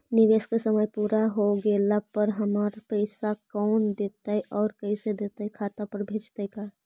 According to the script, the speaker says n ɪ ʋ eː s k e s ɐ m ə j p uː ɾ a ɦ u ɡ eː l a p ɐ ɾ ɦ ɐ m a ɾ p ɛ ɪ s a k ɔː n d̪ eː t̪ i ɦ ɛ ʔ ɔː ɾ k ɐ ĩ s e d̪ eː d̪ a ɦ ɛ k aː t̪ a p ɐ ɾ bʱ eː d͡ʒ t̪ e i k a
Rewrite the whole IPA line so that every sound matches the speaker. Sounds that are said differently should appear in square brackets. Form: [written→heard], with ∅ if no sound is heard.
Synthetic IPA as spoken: n ɪ ʋ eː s k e s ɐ m ə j p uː ɾ a ɦ [u→o] ɡ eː l a p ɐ ɾ ɦ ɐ m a ɾ p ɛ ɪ s a k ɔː n d̪ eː t̪ [i→a] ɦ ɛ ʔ ɔː ɾ k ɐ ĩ s e d̪ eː [d̪→t̪] a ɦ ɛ [k→kʰ] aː t̪ a p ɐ ɾ bʱ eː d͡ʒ t̪ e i k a